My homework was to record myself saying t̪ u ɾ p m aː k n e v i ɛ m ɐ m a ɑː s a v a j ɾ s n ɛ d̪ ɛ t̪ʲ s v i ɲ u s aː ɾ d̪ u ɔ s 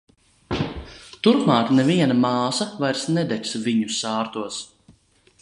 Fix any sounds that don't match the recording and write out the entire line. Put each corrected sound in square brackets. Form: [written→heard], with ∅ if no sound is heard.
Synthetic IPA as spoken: t̪ u ɾ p m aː k n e v i ɛ [m→n] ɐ m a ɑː s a v a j ɾ s n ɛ d̪ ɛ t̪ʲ s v i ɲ u s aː ɾ [d̪→t̪] u ɔ s

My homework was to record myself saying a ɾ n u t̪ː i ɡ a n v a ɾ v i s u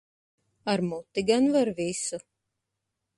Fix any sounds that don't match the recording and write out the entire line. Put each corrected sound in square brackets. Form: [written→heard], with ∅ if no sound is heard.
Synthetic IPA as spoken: a ɾ [n→m] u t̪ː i ɡ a n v a ɾ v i s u

